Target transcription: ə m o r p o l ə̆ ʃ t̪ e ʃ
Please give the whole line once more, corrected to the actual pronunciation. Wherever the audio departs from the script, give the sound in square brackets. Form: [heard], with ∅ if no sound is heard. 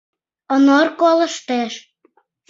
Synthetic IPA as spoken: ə [n] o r [k] o l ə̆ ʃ t̪ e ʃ